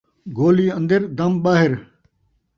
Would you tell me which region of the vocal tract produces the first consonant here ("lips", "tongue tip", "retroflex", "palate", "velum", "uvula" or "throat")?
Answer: velum